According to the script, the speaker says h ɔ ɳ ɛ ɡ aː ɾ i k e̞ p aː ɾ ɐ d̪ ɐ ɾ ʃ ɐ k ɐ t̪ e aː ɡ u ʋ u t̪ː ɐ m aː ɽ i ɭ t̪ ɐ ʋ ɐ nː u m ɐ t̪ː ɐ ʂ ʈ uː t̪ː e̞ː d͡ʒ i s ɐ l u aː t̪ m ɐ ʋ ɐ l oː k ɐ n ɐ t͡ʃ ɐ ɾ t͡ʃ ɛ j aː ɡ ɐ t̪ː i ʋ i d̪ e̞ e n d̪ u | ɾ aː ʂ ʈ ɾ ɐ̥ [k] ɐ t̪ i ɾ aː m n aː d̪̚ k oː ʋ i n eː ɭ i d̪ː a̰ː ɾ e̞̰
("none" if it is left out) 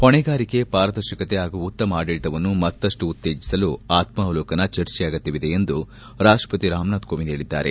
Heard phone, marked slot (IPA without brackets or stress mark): p